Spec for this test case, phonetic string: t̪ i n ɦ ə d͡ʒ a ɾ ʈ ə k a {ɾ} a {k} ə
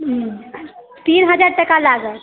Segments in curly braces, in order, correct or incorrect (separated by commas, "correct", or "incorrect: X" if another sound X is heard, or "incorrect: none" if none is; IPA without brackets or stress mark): incorrect: l, incorrect: ɡ